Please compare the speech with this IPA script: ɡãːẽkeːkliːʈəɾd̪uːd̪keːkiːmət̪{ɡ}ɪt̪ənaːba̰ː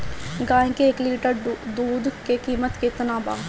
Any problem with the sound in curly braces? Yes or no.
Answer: yes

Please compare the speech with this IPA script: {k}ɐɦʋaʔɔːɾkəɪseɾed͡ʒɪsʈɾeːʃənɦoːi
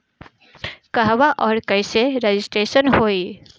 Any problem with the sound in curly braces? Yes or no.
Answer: no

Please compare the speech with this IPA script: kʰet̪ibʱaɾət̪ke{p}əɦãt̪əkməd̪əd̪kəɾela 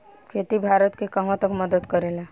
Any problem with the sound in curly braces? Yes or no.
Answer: yes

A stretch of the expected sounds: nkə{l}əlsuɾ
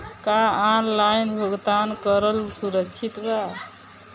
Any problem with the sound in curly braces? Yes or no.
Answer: yes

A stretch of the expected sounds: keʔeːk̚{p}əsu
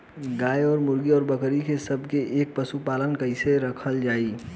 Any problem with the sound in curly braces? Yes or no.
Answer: no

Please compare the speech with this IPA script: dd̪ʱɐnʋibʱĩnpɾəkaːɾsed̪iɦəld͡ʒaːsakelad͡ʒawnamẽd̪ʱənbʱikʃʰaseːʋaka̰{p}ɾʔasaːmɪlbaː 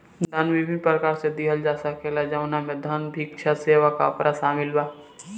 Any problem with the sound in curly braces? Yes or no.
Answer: no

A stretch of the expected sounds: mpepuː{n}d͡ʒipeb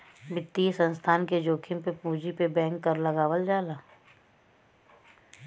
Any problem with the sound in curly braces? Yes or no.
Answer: yes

